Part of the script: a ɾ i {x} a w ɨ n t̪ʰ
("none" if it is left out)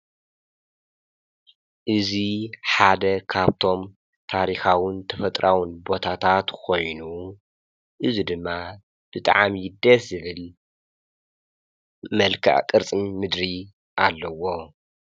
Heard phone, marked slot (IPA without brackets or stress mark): x